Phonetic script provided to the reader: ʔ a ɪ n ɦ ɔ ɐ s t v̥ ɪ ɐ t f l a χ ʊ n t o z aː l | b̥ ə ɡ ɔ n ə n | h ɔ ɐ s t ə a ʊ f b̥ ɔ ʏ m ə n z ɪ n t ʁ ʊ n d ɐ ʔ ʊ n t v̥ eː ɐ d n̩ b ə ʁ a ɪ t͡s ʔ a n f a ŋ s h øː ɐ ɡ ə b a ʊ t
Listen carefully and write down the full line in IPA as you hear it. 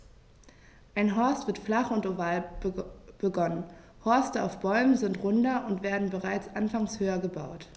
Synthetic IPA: ʔ a ɪ n ɦ ɔ ɐ s t v̥ ɪ ɐ t f l a χ ʊ n t o v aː l | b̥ ə ɡ ɔ n ə n | h ɔ ɐ s t ə a ʊ f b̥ ɔ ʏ m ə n z ɪ n t ʁ ʊ n d ɐ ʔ ʊ n t v̥ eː ɐ d n̩ b ə ʁ a ɪ t͡s ʔ a n f a ŋ s h øː ɐ ɡ ə b a ʊ t